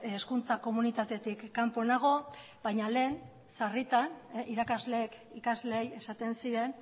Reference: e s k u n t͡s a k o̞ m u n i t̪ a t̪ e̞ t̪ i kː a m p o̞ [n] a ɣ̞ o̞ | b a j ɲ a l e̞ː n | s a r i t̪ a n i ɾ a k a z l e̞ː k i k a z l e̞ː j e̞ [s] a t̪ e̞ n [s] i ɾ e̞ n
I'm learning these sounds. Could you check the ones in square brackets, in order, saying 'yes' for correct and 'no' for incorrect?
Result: yes, yes, yes

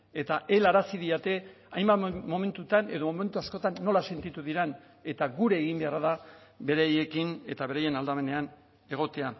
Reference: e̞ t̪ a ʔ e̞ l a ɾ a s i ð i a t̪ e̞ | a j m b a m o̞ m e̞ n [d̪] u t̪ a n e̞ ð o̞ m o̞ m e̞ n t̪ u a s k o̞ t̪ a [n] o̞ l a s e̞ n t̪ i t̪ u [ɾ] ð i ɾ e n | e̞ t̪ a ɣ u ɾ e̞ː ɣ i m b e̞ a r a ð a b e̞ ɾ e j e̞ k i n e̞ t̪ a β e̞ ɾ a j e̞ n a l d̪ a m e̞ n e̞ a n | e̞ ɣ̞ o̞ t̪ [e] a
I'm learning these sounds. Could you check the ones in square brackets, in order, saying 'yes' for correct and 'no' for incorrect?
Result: no, no, no, yes

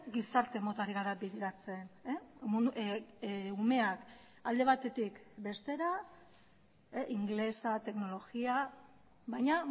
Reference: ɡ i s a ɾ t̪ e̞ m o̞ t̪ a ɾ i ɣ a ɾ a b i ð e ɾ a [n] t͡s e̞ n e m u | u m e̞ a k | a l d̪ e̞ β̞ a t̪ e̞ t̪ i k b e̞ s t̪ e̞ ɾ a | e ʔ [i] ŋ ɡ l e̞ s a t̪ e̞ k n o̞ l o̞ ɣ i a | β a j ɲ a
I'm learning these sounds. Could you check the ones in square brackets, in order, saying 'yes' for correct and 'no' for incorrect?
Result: no, yes

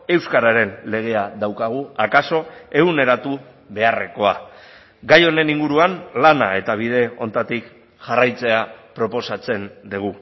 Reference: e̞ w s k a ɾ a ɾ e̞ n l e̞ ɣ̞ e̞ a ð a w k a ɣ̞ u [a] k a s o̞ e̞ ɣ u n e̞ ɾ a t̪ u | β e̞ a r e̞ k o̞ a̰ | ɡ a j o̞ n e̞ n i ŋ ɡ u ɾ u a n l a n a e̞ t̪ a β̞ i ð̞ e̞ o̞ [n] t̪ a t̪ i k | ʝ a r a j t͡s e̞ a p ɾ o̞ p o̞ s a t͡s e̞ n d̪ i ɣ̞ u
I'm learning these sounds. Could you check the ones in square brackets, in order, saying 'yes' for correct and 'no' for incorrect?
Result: yes, yes

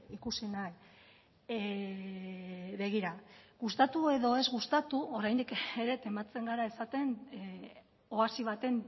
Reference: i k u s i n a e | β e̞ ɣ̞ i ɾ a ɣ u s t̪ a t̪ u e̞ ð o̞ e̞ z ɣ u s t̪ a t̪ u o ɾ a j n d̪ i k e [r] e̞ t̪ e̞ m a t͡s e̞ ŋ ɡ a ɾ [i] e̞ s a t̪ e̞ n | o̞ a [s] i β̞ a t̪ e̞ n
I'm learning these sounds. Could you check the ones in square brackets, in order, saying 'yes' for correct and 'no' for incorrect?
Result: no, no, yes

